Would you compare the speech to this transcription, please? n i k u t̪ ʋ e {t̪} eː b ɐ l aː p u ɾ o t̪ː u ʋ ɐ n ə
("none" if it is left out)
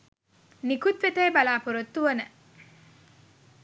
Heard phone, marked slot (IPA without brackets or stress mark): t̪